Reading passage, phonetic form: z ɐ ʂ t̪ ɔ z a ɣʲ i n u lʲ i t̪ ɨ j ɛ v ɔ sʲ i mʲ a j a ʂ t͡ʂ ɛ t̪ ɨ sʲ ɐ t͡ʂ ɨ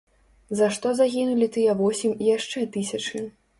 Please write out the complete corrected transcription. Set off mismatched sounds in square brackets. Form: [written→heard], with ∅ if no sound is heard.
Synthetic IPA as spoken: z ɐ ʂ t̪ ɔ z a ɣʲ i n u lʲ i t̪ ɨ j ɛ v ɔ sʲ i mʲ [a→i] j a ʂ t͡ʂ ɛ t̪ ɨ sʲ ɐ t͡ʂ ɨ